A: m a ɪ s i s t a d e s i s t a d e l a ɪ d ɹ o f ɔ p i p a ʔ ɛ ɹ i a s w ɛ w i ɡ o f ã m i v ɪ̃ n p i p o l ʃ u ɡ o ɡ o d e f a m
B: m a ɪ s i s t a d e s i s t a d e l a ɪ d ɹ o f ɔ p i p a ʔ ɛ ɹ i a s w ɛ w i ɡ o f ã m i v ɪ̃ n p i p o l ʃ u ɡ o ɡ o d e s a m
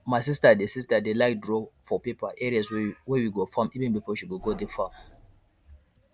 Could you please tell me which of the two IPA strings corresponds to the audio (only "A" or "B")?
A